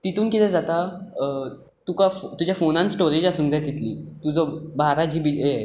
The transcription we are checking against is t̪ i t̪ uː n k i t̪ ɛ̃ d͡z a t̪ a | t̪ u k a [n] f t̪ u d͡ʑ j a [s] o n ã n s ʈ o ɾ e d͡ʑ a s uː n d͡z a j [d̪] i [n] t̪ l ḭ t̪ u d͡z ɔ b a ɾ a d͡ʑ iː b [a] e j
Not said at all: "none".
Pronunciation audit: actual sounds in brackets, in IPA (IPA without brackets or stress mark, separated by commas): none, f, t̪, none, i